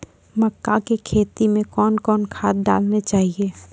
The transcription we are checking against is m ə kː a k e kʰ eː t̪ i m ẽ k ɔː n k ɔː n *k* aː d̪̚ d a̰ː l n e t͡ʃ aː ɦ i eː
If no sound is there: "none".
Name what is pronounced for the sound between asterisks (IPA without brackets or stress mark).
kʰ